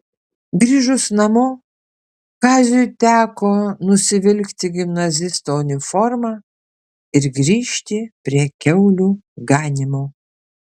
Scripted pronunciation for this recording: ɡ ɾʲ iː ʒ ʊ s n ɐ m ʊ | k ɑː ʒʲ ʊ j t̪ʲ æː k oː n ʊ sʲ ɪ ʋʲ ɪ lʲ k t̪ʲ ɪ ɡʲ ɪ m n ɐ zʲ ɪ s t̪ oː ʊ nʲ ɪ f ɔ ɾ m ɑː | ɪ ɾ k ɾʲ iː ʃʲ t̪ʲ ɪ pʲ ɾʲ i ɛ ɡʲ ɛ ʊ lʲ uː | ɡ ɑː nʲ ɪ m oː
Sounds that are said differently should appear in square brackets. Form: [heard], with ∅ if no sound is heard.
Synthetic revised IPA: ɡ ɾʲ iː ʒ ʊ s n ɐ m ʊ | k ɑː [zʲ] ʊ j t̪ʲ æː k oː n ʊ sʲ ɪ ʋʲ ɪ lʲ k t̪ʲ ɪ ɡʲ ɪ m n ɐ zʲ ɪ s t̪ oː ʊ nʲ ɪ f ɔ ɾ m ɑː | ɪ ɾ [ɡ] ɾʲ iː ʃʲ t̪ʲ ɪ pʲ ɾʲ i ɛ [kʲ] ɛ ʊ lʲ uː | ɡ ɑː nʲ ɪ m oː